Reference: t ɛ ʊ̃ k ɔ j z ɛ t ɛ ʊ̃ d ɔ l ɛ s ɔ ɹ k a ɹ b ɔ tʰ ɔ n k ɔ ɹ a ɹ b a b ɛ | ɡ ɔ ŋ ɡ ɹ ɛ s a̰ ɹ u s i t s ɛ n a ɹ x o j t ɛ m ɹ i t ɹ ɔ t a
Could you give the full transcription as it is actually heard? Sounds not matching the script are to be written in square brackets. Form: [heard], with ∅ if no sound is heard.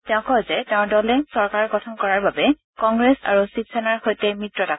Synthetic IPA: t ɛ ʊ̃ k ɔ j z ɛ t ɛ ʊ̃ d ɔ l ɛ s ɔ ɹ k a ɹ [ɡ] ɔ tʰ ɔ n k ɔ ɹ a ɹ b a b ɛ | [k] ɔ ŋ ɡ ɹ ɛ s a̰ ɹ u s i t s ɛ n a ɹ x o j t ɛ m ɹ i t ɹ ɔ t a